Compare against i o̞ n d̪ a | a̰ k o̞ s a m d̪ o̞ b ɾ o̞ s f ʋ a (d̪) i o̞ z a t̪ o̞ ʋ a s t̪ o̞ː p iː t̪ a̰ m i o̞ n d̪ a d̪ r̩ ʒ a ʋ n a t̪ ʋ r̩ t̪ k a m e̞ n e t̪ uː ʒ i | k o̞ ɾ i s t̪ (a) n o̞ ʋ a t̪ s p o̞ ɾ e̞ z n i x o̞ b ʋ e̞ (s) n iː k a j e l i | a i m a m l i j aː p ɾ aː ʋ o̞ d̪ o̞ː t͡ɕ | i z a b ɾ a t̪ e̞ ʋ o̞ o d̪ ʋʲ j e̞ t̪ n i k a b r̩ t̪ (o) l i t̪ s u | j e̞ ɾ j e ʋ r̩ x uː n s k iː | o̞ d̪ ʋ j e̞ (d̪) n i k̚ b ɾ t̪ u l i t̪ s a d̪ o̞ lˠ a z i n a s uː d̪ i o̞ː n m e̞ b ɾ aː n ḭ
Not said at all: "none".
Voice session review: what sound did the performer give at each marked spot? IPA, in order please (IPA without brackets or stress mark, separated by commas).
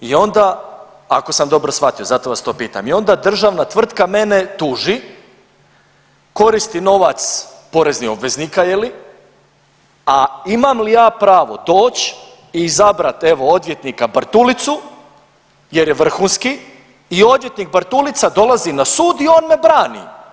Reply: t̪, i, z, u, t̪